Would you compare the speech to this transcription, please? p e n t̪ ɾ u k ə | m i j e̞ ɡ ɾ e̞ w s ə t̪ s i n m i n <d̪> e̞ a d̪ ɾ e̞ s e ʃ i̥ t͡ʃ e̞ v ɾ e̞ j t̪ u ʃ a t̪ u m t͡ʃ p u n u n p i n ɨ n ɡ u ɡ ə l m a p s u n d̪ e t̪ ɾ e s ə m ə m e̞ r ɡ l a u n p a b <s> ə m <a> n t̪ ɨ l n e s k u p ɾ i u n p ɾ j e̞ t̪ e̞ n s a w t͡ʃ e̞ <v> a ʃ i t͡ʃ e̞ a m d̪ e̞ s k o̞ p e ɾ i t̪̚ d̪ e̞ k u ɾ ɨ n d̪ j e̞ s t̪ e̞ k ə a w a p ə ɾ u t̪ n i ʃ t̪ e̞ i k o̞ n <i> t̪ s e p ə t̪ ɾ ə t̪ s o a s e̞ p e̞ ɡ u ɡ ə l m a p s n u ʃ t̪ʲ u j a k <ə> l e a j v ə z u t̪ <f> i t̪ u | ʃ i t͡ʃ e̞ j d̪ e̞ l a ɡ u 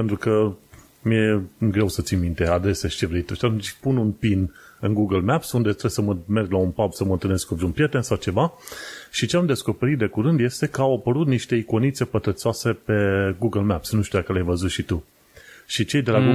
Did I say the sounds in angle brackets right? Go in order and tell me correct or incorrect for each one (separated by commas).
incorrect, correct, incorrect, correct, correct, correct, incorrect